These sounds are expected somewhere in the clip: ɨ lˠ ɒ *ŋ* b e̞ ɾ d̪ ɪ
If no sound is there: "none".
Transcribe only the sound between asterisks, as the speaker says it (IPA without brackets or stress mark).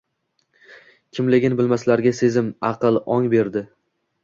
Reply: ŋ